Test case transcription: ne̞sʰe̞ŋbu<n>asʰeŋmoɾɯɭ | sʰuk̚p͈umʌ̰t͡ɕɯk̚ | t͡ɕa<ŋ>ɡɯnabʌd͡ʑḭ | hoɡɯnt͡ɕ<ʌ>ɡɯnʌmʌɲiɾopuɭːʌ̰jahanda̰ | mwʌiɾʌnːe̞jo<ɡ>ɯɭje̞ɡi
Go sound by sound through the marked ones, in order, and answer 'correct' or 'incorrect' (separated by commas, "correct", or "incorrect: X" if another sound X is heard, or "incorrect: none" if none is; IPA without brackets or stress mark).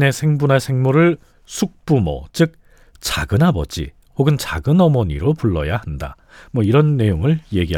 correct, incorrect: none, incorrect: a, incorrect: ŋ